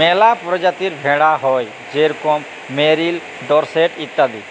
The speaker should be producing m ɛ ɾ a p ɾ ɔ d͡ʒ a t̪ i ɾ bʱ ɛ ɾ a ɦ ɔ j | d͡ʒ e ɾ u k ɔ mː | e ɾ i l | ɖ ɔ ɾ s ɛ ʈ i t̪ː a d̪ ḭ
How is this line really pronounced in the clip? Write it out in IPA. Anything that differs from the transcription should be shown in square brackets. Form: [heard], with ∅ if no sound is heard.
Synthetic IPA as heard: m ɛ [l] a p ɾ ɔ d͡ʒ a t̪ i ɾ bʱ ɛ [ɽ] a ɦ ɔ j | d͡ʒ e ɾ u k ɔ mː | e ɾ i l | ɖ ɔ ɾ s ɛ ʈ i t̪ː a d̪ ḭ